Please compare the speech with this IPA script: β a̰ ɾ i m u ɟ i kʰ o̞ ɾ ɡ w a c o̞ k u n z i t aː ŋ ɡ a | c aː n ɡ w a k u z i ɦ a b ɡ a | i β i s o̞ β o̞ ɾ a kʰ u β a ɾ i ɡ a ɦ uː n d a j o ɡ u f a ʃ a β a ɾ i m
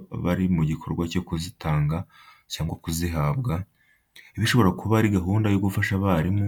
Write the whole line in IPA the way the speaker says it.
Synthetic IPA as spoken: β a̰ ɾ i m u ɟ i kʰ o̞ ɾ ɡ w a c o̞ k u z i t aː ŋ ɡ a | c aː ŋ ɡ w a k u z i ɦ a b ɡ a | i β i ʃ o̞ β o̞ ɾ a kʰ u β a ɾ i ɡ a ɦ uː n d a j o ɡ u f a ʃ a β a ɾ i m